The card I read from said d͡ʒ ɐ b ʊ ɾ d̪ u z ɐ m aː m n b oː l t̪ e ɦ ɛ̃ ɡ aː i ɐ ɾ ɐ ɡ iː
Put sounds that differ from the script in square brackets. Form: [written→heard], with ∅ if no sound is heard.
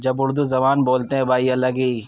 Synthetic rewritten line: d͡ʒ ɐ b ʊ ɾ d̪ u z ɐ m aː [m→∅] n b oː l t̪ e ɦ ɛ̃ [ɡ→b] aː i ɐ [ɾ→l] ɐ ɡ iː